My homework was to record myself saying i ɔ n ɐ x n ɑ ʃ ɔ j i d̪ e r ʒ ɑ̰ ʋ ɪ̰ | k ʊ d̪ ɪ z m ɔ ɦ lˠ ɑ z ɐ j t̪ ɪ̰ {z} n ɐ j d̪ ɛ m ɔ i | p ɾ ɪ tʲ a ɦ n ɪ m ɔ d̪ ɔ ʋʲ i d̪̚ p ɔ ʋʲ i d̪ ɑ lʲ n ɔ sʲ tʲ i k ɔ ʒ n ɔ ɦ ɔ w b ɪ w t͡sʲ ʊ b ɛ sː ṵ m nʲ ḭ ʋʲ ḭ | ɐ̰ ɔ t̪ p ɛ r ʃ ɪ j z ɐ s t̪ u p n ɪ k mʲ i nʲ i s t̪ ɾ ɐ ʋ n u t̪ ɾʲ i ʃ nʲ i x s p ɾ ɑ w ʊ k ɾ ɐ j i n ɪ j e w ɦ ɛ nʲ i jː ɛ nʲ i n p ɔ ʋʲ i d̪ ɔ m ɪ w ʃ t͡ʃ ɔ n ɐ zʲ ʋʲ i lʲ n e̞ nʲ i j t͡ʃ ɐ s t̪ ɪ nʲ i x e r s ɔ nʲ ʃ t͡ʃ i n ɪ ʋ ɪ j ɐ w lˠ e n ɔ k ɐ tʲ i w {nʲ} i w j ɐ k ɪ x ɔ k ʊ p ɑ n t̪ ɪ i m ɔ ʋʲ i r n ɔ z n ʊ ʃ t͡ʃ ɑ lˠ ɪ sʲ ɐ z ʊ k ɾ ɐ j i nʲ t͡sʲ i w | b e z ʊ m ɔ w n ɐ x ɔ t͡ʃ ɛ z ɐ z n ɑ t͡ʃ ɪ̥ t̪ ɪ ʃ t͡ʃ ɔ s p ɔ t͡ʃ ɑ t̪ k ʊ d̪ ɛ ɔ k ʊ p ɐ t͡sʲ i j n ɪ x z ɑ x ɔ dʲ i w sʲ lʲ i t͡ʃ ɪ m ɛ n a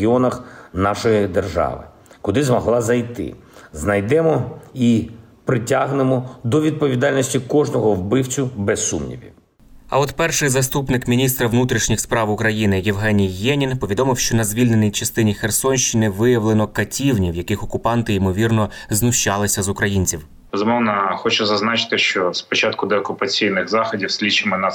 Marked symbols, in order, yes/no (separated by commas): yes, yes